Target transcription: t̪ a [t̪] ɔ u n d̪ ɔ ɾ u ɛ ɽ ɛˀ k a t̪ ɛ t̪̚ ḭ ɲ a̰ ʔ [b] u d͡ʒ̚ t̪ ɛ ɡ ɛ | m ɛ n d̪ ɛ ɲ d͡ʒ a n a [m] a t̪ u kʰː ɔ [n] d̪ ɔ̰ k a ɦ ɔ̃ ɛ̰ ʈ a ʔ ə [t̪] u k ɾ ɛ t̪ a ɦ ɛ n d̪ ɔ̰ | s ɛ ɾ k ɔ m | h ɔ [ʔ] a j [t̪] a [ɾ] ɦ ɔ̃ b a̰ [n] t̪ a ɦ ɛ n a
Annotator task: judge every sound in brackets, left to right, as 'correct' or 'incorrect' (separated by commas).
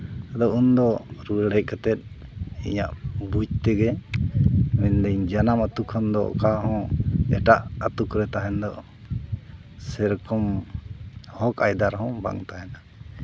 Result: incorrect, correct, correct, correct, correct, incorrect, incorrect, correct, incorrect